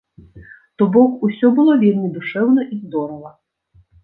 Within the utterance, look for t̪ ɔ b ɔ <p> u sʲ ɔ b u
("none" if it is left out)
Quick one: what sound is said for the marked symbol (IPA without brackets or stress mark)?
k